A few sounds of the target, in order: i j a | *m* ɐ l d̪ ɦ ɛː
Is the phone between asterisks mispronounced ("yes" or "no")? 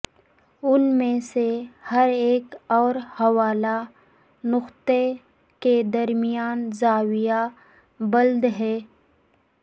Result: yes